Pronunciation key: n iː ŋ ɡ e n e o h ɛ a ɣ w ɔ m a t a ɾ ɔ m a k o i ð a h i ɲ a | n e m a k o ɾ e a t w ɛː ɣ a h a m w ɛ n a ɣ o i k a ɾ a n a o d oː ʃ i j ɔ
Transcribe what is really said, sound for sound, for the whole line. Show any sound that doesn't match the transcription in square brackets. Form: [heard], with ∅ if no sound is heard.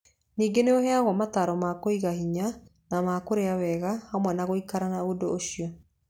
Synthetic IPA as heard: n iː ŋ ɡ e n e o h ɛ a ɣ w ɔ m a t a ɾ ɔ m a k o i [ɣ] a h i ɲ a | n [a] m a k o ɾ e a [∅] w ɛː ɣ a h a m w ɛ n a ɣ o i k a ɾ a n a o d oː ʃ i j ɔ